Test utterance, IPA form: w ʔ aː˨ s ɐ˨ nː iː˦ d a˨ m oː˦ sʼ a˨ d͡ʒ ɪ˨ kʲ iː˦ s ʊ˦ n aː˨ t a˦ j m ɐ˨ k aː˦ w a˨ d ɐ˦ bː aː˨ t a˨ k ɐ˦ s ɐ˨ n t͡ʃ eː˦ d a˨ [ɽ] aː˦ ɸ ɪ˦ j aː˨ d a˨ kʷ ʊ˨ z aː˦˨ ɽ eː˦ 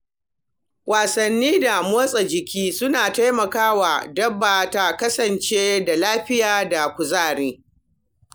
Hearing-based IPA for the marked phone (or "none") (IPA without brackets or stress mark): l